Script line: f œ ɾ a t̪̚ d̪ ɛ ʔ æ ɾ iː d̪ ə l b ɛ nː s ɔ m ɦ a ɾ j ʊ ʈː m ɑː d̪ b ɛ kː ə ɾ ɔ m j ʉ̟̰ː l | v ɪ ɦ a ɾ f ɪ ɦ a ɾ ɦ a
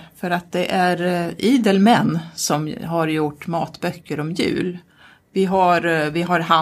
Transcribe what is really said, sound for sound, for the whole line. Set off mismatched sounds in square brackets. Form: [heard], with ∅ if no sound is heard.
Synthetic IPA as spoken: f œ ɾ a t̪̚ d̪ ɛ ʔ æ ɾ iː d̪ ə l [m] ɛ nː s ɔ m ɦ a ɾ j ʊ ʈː m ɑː [t̪] b [œ] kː ə ɾ ɔ m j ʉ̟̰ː l | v ɪ ɦ a ɾ [v] ɪ ɦ a ɾ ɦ a